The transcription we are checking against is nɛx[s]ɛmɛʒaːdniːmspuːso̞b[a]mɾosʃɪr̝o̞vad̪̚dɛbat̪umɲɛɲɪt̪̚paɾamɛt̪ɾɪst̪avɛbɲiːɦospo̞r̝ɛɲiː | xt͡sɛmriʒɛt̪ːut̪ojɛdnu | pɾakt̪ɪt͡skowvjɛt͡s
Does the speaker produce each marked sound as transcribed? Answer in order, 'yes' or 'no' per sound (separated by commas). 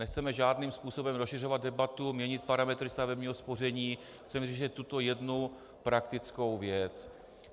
no, no